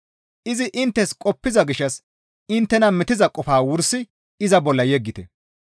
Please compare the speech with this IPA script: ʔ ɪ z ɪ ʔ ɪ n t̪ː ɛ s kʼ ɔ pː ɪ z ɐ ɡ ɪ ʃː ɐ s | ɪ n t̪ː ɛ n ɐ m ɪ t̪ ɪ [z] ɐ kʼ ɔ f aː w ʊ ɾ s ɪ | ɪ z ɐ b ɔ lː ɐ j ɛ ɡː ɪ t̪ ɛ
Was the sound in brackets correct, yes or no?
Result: yes